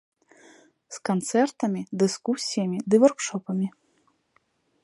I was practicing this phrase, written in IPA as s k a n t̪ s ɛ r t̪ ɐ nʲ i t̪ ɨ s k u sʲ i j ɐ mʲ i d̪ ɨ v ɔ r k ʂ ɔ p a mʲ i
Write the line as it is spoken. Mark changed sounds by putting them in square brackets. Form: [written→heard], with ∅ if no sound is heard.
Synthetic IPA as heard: s k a n t̪ s ɛ r t̪ ɐ [nʲ→mʲ] i [t̪→d̪] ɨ s k u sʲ i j ɐ mʲ i d̪ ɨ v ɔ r k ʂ ɔ p [a→ɐ] mʲ i